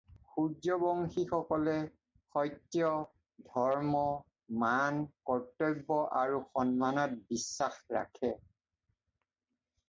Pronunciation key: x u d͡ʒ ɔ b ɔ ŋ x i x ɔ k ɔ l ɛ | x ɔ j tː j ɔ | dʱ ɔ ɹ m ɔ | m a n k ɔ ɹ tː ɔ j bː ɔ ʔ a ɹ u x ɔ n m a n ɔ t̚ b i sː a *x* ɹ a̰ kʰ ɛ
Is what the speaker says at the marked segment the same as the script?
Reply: yes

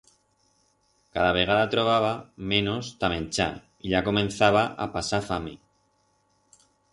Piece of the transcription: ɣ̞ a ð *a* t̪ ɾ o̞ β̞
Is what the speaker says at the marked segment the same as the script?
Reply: yes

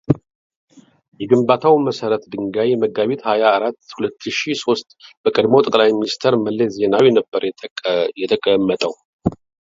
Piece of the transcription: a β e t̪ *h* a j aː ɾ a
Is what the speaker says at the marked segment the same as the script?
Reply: yes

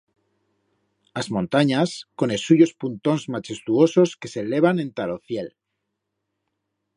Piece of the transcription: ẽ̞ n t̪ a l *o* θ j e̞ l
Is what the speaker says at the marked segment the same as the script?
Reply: yes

